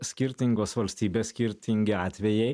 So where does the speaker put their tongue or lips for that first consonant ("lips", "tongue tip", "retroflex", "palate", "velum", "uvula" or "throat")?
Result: tongue tip